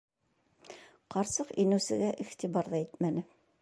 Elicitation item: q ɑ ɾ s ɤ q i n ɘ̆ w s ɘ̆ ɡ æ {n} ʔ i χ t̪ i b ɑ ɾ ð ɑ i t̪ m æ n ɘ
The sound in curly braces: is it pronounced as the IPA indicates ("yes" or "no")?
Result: no